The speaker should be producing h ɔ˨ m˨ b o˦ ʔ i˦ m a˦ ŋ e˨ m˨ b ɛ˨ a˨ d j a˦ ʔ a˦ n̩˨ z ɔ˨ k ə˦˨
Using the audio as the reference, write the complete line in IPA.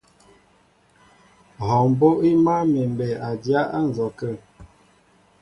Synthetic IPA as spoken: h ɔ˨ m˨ b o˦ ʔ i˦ m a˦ m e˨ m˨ b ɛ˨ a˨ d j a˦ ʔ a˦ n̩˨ z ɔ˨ k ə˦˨

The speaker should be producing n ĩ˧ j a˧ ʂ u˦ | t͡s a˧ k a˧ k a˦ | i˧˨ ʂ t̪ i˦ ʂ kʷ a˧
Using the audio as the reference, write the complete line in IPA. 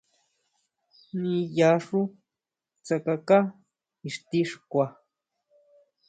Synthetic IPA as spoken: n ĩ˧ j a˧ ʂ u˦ | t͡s a˧ k a˧ k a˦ | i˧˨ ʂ t̪ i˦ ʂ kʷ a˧

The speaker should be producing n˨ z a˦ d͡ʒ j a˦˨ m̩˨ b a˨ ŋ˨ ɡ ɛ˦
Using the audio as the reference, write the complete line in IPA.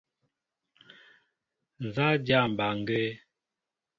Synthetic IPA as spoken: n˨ z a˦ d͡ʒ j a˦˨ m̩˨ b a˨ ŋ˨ ɡ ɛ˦

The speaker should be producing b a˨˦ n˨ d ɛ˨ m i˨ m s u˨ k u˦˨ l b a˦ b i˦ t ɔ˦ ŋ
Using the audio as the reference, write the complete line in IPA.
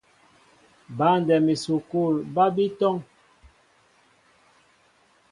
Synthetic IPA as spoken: b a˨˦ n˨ d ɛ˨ m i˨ s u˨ k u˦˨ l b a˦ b i˦ t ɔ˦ ŋ

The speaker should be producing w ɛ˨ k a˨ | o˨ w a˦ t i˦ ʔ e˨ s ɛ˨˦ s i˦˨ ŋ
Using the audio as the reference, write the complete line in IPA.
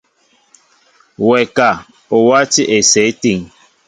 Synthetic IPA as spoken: w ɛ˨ k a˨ | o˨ w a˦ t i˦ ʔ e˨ s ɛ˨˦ t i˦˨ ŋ

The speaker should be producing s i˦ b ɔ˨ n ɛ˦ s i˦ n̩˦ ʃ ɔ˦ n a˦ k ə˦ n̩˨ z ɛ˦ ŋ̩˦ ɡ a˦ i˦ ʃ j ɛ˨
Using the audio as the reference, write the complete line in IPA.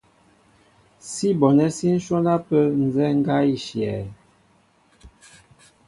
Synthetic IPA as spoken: s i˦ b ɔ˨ n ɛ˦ s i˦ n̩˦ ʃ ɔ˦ n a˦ p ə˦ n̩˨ z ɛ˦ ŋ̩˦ ɡ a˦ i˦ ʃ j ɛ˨

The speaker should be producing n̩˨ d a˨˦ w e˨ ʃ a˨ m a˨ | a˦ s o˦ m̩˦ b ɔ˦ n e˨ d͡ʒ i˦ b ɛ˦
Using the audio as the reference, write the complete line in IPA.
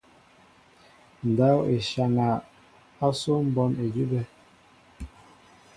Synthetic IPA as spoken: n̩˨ d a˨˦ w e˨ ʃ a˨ ŋ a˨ | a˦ s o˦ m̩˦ b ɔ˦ n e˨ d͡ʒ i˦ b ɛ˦

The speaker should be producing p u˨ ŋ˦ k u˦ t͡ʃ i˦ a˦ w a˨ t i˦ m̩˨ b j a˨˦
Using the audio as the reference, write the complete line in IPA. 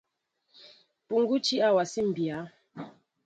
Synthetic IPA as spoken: p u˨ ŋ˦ ɡ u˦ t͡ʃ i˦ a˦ w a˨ s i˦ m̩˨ b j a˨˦

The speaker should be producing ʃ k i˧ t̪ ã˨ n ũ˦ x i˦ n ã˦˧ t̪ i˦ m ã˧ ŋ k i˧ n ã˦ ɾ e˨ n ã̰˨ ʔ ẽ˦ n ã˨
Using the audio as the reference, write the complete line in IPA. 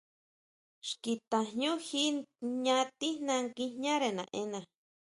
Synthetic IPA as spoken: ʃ k i˧ t̪ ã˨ ɲ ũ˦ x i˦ ɲ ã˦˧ t̪ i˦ n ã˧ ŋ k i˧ ɲ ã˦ ɾ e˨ n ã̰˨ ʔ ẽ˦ n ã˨

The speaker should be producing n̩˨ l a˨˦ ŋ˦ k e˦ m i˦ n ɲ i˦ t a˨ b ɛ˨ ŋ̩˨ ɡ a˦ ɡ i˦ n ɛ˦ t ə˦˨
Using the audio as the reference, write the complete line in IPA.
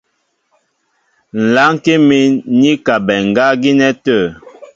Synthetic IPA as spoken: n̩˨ l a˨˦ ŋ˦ k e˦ m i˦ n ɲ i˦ k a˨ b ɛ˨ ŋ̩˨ ɡ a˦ ɡ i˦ n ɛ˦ t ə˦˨

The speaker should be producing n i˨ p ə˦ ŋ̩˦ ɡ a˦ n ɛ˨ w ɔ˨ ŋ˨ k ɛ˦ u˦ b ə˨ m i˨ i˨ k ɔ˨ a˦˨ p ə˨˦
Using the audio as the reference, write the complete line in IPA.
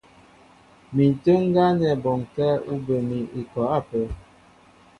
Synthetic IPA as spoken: m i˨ t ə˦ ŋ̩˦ ɡ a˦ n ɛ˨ b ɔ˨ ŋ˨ k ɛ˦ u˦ b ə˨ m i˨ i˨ k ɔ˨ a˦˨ p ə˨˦

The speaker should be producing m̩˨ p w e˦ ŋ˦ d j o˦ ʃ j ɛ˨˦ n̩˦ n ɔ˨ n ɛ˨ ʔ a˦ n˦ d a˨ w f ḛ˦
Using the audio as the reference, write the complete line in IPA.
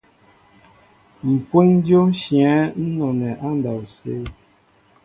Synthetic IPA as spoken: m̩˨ p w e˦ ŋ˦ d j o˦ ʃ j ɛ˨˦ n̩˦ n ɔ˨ n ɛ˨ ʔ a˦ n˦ d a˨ w s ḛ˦

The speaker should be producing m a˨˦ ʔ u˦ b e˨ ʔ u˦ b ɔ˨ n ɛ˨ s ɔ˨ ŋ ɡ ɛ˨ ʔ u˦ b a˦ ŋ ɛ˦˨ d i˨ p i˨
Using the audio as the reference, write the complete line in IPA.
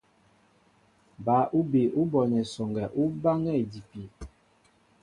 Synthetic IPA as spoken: b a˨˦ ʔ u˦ b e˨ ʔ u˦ b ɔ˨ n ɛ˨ s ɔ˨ ŋ ɡ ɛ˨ ʔ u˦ b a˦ ŋ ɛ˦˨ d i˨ p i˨

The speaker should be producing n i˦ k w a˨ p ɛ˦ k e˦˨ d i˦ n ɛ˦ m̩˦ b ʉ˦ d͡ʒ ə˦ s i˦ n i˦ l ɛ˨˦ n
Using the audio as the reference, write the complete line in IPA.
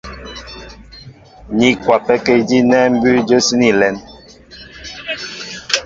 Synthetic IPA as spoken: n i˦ k w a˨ p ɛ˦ k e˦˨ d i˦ n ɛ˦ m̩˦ b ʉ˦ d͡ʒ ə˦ s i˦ n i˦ l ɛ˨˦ n

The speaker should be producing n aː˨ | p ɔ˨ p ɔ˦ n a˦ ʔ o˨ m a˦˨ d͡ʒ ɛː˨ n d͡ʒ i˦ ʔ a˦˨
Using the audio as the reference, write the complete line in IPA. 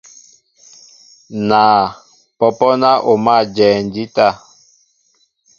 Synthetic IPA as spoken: n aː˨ | p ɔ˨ p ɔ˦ n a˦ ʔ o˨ m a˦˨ d͡ʒ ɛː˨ n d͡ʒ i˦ t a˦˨

